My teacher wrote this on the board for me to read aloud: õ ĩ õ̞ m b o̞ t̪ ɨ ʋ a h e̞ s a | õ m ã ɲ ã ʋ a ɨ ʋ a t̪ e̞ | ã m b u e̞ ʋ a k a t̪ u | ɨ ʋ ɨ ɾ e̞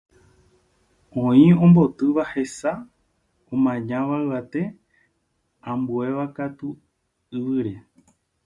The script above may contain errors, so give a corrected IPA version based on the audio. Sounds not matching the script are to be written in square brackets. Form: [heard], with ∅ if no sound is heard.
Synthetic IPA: õ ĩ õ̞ m b o̞ t̪ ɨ ʋ a h e̞ s a | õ m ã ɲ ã ʋ a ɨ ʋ a t̪ e̞ | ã m b u e̞ ʋ a k a t̪ u | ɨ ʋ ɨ ɾ e̞